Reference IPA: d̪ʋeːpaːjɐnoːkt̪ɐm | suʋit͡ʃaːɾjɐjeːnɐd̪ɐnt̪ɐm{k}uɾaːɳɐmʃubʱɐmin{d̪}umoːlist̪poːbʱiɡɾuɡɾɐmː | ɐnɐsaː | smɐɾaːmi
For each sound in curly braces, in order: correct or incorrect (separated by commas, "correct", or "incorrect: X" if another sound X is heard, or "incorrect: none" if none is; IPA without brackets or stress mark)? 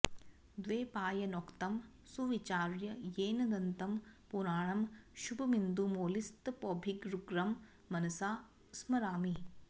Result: incorrect: p, correct